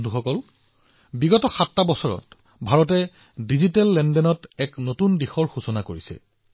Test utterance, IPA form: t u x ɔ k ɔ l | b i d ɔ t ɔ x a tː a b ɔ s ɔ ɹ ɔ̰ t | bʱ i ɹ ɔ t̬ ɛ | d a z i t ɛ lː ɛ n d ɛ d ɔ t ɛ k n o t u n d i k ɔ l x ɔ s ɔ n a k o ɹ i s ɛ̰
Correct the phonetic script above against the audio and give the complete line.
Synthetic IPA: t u x ɔ k ɔ l | b i ɡ ɔ t ɔ x a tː a b ɔ s ɔ ɹ ɔ̰ t | bʱ a ɹ ɔ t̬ ɛ | d i z i t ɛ lː ɛ n d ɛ n ɔ t ɛ k n o t u n d i x ɔ ɹ x u s ɔ n a k o ɹ i s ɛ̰